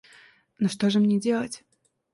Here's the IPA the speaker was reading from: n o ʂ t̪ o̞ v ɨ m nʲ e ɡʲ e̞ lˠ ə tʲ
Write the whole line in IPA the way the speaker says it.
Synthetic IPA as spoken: n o ʂ t̪ o̞ ʐ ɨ m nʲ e dʲ e̞ lˠ ə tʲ